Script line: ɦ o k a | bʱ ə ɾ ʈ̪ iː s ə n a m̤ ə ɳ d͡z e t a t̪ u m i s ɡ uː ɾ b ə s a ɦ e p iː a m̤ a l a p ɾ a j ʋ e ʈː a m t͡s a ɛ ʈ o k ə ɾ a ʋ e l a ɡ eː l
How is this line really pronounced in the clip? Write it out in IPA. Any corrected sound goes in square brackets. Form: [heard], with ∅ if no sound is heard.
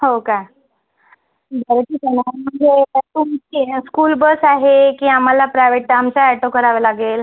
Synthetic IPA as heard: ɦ o k a | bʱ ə ɾ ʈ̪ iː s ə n a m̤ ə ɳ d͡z e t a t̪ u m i s [k] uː [l] b ə s a ɦ e [k] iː a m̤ a l a p ɾ a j ʋ e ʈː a m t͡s a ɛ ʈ o k ə ɾ a ʋ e l a ɡ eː l